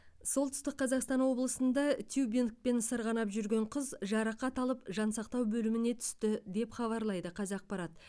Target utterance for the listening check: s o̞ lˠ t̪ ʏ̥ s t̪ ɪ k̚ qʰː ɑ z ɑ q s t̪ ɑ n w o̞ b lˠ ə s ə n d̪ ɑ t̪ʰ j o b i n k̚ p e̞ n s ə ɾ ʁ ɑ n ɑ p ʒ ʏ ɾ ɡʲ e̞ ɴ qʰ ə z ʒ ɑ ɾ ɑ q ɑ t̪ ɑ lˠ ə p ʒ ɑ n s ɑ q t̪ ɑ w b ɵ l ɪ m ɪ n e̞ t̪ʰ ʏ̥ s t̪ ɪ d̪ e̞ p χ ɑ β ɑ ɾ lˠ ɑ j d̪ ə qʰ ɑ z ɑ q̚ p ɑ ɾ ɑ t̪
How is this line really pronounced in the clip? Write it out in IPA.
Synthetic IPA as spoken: s o̞ lˠ t̪ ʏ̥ s t̪ ɪ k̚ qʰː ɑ z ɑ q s t̪ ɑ n w o̞ b lˠ ə s ə n d̪ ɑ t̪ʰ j u b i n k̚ p e̞ n s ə ɾ ʁ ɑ n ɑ p ʒ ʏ ɾ ɡʲ e̞ ɴ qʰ ə z ʒ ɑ ɾ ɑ q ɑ t̪ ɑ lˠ ə p ʒ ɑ n s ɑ q t̪ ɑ w b ɵ l ɪ m ɪ n e̞ t̪ʰ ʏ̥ s t̪ ɪ d̪ e̞ p χ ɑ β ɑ ɾ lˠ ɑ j d̪ ə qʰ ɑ z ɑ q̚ p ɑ ɾ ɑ t̪